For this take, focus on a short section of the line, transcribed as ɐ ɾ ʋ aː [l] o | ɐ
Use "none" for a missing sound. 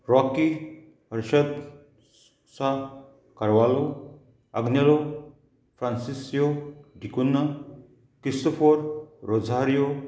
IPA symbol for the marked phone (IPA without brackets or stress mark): l